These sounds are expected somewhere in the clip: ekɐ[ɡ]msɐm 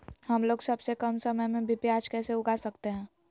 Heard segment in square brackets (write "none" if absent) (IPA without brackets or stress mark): none